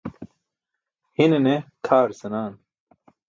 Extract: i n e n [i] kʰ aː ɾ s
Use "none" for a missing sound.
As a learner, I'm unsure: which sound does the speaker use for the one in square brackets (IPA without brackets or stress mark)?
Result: e